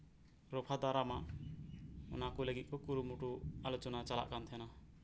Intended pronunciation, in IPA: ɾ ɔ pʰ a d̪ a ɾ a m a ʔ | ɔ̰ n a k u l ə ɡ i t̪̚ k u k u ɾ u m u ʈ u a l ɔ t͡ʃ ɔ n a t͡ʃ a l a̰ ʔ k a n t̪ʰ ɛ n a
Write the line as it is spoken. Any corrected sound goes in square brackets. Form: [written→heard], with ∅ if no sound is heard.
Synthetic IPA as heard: ɾ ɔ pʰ a d̪ a ɾ a m a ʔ | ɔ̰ n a k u l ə ɡ i t̪̚ k [u→ɔ] k u ɾ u m u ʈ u a l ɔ t͡ʃ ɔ n a t͡ʃ a l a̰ ʔ k a n t̪ʰ ɛ n a